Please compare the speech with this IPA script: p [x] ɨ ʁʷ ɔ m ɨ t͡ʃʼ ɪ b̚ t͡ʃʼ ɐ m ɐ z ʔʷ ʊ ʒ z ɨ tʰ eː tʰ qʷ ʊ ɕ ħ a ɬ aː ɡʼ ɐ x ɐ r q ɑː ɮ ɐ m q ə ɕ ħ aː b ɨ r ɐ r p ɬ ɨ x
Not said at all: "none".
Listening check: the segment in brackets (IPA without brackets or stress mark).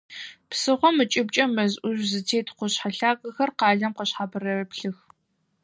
s